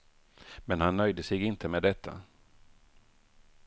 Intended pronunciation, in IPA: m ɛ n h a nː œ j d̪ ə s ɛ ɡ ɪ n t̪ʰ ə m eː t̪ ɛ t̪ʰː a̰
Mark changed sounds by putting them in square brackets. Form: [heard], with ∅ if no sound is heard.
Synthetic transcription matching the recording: m ɛ n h a nː œ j d̪ ə s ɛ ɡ ɪ n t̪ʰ ə m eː [d̪] ɛ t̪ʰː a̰